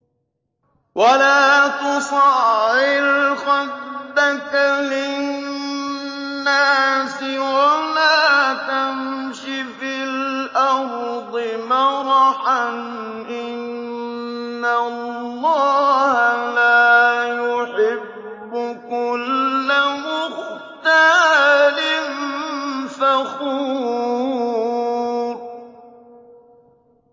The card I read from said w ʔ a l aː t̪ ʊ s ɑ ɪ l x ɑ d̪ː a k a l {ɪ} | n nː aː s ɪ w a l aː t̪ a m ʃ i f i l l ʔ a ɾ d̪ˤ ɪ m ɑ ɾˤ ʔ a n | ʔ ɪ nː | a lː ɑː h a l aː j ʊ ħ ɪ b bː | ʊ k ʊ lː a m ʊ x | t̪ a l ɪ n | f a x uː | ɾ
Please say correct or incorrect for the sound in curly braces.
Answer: correct